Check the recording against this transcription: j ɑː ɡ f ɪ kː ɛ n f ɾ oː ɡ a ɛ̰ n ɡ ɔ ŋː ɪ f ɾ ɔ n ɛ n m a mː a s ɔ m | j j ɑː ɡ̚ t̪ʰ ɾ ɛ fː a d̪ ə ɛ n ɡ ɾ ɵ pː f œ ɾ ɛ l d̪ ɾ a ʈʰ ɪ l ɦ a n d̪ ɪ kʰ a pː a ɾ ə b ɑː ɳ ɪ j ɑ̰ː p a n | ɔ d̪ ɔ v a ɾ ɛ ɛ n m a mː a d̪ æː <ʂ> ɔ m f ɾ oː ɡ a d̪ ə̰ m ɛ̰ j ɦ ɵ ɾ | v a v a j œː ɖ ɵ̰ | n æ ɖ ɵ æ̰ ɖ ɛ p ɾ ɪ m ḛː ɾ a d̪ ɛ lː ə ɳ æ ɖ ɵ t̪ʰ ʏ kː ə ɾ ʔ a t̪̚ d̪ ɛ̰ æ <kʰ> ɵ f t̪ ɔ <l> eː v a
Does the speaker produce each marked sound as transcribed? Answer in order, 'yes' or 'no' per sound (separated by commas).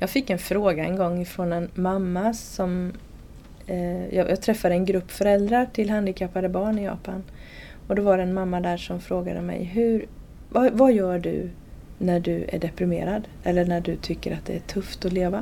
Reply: yes, no, yes